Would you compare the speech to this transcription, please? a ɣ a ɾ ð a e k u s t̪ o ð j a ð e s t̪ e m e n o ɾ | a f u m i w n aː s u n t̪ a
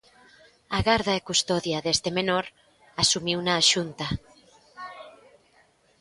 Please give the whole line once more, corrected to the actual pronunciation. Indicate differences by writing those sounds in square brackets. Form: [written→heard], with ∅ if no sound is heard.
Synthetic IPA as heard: a ɣ a ɾ ð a e k u s t̪ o ð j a ð e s t̪ e m e n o ɾ | a [f→s] u m i w n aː [s→ʃ] u n t̪ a